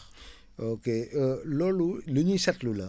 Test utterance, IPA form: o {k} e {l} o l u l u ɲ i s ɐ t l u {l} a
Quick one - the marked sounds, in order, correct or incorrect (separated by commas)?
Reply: correct, correct, correct